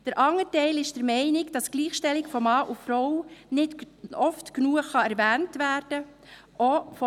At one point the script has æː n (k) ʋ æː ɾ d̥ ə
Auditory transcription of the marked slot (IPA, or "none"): t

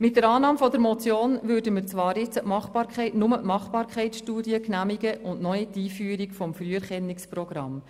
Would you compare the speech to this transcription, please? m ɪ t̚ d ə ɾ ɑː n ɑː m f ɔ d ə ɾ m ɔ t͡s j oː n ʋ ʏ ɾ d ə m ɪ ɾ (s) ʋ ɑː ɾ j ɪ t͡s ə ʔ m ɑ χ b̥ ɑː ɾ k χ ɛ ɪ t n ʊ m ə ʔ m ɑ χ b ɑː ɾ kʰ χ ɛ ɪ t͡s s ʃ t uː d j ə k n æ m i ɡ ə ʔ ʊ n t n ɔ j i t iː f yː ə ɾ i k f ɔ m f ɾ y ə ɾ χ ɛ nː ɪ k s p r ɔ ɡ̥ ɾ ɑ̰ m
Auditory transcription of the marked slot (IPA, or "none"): t͡s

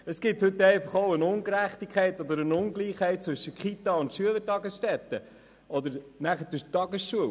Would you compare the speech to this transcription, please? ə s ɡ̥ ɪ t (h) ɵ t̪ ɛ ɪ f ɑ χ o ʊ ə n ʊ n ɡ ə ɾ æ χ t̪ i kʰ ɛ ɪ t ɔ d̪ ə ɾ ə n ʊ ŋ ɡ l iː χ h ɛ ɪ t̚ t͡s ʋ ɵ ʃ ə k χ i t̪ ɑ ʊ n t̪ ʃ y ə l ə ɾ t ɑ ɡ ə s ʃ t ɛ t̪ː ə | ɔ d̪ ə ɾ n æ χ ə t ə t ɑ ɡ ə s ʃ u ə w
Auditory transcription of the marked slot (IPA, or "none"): h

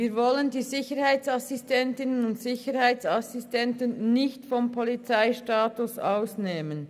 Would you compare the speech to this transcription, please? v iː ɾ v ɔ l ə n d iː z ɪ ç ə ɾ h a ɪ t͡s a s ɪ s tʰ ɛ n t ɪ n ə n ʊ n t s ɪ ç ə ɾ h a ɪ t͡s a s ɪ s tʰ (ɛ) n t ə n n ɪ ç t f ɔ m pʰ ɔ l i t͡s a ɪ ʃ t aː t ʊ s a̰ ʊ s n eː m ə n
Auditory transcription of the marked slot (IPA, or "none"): ɛ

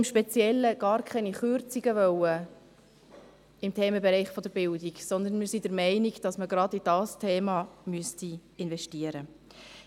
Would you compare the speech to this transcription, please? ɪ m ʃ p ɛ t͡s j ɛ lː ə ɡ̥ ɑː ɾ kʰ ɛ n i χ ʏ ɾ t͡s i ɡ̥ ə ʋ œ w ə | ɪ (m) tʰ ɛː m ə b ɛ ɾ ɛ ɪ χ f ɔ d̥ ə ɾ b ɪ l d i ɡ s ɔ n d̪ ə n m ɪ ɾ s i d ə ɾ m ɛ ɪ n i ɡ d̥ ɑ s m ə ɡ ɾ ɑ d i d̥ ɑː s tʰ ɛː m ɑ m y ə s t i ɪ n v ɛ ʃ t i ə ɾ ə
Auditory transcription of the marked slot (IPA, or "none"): m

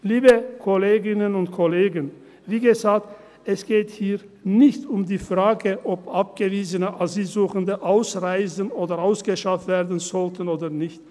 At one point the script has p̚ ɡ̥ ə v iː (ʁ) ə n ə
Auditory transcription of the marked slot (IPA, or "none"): z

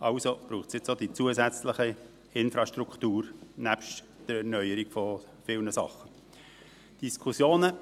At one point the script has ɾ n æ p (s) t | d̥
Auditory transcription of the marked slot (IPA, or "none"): ʃ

